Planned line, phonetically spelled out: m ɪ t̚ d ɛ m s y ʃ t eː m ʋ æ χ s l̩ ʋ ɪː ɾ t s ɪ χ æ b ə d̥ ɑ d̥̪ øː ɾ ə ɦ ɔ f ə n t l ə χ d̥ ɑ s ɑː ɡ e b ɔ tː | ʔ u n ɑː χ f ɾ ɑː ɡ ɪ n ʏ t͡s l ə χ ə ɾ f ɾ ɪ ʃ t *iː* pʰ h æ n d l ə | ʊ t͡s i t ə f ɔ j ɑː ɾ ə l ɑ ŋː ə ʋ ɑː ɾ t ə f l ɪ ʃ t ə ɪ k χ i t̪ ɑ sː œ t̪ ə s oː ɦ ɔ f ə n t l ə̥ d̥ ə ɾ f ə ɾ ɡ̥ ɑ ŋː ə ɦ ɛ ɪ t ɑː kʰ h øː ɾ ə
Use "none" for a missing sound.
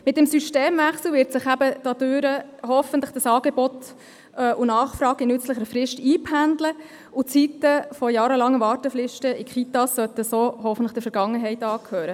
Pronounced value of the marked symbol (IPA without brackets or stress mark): iː